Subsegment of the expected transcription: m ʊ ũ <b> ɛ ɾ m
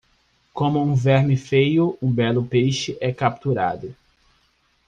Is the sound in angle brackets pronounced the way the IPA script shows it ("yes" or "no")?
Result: no